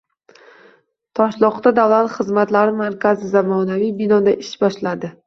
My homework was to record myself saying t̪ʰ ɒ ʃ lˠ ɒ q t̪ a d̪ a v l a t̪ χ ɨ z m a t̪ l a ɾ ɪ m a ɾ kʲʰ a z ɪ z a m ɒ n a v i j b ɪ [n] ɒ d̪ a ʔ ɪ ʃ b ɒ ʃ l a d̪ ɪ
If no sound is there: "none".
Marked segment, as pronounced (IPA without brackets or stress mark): n